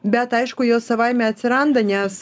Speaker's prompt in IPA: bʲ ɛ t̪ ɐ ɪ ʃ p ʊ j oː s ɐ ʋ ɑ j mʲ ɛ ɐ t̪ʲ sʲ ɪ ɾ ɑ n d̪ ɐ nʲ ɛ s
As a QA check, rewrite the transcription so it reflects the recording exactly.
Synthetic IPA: bʲ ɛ t̪ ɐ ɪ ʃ k ʊ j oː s ɐ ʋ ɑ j mʲ ɛ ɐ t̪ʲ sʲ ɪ ɾ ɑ n d̪ ɐ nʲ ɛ s